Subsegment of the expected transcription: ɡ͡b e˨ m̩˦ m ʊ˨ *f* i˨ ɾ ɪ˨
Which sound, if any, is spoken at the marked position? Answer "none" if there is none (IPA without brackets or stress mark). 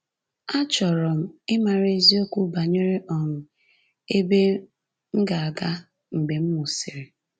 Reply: s